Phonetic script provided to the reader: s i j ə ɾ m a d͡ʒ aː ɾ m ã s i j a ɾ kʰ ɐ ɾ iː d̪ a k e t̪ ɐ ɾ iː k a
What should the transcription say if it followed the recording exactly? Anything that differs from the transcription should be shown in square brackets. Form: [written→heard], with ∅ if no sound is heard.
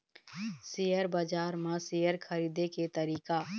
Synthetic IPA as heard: s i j ə ɾ [m→b] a d͡ʒ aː ɾ m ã s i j [a→ə] ɾ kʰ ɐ ɾ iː d̪ [a→e] k e t̪ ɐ ɾ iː k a